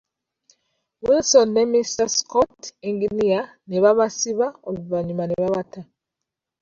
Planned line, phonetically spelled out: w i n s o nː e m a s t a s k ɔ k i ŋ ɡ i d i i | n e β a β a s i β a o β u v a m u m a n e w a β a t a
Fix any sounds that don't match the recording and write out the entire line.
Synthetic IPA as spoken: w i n s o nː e m i s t a s k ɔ t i ŋ ɡ i n i a | n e β a β a s i β a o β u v a ɲ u m a n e β a β a t a